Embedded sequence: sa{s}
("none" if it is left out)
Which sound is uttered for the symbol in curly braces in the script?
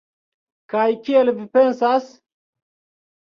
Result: s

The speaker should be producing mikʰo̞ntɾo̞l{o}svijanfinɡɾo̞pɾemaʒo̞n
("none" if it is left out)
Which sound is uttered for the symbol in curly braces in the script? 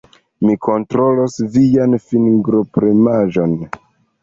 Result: o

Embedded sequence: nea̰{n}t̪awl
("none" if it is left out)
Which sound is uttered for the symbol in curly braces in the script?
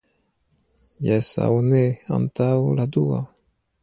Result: n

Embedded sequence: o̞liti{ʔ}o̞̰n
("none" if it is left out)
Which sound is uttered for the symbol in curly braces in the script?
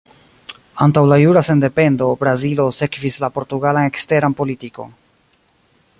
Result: k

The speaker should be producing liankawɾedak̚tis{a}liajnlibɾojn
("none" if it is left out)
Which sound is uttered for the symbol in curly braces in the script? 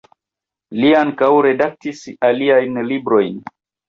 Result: a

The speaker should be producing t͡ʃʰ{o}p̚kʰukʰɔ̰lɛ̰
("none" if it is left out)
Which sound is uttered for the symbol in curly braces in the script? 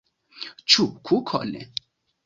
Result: u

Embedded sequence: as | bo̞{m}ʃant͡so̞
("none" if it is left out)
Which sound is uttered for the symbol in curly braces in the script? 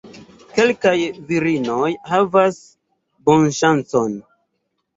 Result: n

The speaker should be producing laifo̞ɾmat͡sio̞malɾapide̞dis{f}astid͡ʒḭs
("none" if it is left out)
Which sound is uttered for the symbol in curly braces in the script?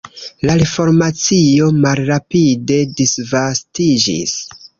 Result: v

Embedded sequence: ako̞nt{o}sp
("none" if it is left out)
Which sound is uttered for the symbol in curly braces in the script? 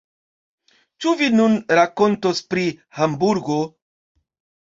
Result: o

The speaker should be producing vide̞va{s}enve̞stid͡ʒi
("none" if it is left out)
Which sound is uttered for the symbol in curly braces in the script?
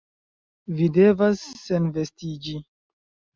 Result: sː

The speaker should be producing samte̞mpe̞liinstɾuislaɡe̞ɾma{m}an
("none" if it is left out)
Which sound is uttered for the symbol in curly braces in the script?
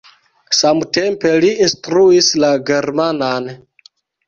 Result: n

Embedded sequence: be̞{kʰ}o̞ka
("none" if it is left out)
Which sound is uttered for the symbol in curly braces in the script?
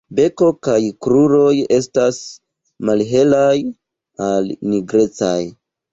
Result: k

